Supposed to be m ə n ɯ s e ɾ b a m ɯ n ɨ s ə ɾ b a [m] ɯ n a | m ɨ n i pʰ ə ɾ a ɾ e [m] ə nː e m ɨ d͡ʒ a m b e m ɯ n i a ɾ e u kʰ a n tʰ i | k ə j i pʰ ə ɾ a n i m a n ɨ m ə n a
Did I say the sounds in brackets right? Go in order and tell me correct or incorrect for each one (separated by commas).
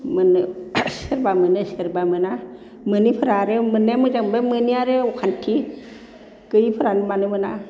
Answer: correct, correct